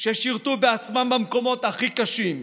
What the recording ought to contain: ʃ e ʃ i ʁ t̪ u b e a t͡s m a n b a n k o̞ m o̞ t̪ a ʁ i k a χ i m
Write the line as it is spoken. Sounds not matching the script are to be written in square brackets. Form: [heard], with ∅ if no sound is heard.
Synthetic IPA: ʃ e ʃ i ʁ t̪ u b e a t͡s m a [m] b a [m] k o̞ m o̞ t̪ a [χ] i k a [ʃ] i m